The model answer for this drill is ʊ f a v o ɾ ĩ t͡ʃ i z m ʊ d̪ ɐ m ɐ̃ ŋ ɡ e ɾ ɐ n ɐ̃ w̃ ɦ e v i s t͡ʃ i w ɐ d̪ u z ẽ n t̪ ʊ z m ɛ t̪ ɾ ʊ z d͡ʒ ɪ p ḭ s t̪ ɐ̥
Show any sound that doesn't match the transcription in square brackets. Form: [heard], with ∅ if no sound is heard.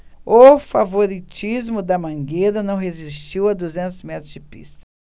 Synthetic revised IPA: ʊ f a v o ɾ [i] t͡ʃ i z m ʊ d̪ ɐ m ɐ̃ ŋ ɡ e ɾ ɐ n ɐ̃ w̃ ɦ e [z] i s t͡ʃ i w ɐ d̪ u z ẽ n t̪ ʊ z m ɛ t̪ ɾ ʊ z d͡ʒ ɪ p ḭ s t̪ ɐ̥

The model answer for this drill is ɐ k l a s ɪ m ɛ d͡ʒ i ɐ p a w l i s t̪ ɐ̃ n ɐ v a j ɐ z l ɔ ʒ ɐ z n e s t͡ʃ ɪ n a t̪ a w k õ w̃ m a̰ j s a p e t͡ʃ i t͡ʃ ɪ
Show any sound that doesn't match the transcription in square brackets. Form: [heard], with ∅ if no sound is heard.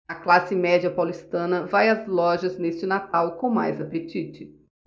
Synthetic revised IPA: ɐ k l a s ɪ m ɛ d͡ʒ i ɐ p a w l i s t̪ ɐ̃ n ɐ v a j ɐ z l ɔ ʒ ɐ z n e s t͡ʃ ɪ n a t̪ a w k õ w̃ m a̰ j [z] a p e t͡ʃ i t͡ʃ ɪ

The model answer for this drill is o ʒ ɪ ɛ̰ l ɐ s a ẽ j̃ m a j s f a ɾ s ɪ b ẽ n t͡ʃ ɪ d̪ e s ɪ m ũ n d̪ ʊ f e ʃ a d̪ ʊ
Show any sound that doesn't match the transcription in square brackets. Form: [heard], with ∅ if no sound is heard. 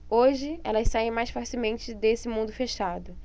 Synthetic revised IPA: o ʒ ɪ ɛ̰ l ɐ s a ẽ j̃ m a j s f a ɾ s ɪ [m] ẽ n t͡ʃ ɪ d̪ e s ɪ m ũ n d̪ ʊ f e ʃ a d̪ ʊ

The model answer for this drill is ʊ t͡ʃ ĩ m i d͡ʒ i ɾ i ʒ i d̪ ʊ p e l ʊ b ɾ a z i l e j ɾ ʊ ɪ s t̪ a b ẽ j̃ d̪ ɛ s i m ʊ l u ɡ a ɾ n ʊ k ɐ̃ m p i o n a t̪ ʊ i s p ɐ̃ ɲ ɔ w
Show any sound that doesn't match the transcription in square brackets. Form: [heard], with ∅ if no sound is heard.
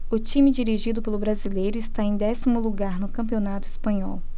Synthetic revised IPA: ʊ t͡ʃ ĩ m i d͡ʒ i ɾ i ʒ i d̪ ʊ p e l ʊ b ɾ a z i l e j ɾ ʊ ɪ s t̪ a [∅] ẽ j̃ d̪ ɛ s i m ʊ l u ɡ a ɾ n ʊ k ɐ̃ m p i o n a t̪ ʊ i s p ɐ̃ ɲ ɔ w

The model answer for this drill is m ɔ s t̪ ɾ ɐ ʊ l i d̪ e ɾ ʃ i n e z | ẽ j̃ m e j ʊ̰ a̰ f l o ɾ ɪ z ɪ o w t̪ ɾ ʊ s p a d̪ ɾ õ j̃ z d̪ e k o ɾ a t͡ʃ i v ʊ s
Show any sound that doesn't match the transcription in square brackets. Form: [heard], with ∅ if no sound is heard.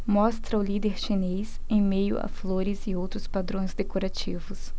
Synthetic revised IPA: m ɔ s t̪ ɾ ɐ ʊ l i d̪ e ɾ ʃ i n e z | ẽ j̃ m e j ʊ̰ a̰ f l o ɾ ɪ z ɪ o w t̪ ɾ ʊ s p a d̪ ɾ õ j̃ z d̪ e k o ɾ a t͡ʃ i v ʊ s

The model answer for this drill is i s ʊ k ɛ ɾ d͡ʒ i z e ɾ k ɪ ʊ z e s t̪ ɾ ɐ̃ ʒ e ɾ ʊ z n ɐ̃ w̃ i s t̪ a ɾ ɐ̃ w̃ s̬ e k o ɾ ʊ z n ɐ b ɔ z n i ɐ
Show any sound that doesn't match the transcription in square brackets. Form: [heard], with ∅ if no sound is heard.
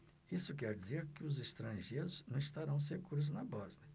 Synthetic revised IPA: i s ʊ k ɛ ɾ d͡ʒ i z e ɾ k ɪ ʊ z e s t̪ ɾ ɐ̃ ʒ e ɾ ʊ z n ɐ̃ w̃ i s t̪ a ɾ ɐ̃ w̃ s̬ e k [u] ɾ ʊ z n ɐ b ɔ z n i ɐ

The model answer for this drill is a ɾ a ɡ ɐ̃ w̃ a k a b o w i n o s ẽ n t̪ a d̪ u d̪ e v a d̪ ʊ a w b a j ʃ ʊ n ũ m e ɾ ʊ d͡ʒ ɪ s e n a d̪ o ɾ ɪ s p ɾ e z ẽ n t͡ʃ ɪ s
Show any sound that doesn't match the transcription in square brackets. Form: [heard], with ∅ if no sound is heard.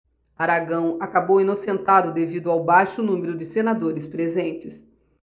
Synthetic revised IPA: a ɾ a ɡ ɐ̃ w̃ a k a b o w i n o s ẽ n t̪ a d̪ [ʊ] d̪ e v [i] d̪ ʊ a w b a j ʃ ʊ n ũ m e ɾ ʊ d͡ʒ ɪ s e n a d̪ o ɾ ɪ s p ɾ e z ẽ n t͡ʃ ɪ s

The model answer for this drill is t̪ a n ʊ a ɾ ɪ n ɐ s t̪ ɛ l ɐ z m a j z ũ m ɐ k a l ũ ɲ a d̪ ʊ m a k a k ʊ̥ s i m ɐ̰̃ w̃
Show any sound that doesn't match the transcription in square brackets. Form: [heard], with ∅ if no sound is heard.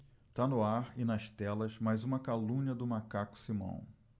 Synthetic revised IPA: t̪ a n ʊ a ɾ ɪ n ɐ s t̪ ɛ l ɐ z m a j z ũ m ɐ k a l ũ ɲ [ɐ] d̪ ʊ m a k a k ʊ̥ s i m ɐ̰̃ w̃

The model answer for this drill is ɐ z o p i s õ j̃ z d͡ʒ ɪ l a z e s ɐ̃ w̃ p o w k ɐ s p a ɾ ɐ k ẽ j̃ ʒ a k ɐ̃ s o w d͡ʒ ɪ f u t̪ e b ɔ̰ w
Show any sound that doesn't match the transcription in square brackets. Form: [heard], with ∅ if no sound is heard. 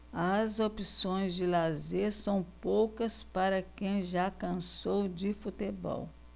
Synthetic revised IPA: ɐ z o p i s õ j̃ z d͡ʒ ɪ l a z e s ɐ̃ w̃ p o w k ɐ s p a ɾ ɐ k ẽ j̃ ʒ a k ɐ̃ s o w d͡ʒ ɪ f u t̪ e b ɔ̰ w

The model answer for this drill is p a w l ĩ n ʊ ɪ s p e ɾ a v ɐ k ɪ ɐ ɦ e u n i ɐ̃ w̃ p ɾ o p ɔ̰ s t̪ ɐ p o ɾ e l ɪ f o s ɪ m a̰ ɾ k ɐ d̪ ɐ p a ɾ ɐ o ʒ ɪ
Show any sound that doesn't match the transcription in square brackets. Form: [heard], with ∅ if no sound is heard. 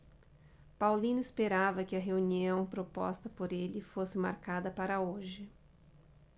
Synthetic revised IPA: p a w l ĩ n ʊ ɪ s p e ɾ a v ɐ k ɪ ɐ ɦ e u n i ɐ̃ w̃ p ɾ o p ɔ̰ s t̪ ɐ p o ɾ e l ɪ f o s ɪ m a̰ ɾ k [a] d̪ ɐ p a ɾ ɐ o ʒ ɪ

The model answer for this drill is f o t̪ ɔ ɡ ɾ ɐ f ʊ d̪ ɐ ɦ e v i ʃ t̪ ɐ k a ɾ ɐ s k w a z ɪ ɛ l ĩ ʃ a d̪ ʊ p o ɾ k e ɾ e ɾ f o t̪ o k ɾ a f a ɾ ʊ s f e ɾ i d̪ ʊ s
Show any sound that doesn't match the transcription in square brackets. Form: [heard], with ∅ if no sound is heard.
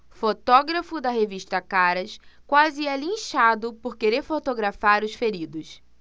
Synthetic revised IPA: f o t̪ ɔ ɡ ɾ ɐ f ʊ d̪ ɐ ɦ e v i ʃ t̪ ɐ k a ɾ ɐ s k w a z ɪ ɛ l ĩ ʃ a d̪ ʊ p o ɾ k e ɾ e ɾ f o t̪ o [ɡ] ɾ a f a ɾ ʊ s f e ɾ i d̪ ʊ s

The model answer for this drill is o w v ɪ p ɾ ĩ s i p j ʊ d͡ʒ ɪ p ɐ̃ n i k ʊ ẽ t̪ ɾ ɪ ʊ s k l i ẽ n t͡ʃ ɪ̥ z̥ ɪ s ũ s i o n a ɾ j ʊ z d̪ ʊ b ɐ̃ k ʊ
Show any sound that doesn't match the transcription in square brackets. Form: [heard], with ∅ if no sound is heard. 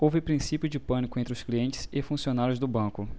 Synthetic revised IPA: o w v ɪ p ɾ ĩ s i p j ʊ d͡ʒ ɪ p ɐ̃ n i k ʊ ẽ t̪ ɾ ɪ ʊ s k l i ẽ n t͡ʃ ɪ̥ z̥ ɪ [f] ũ s i o n a ɾ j ʊ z d̪ ʊ b ɐ̃ k ʊ

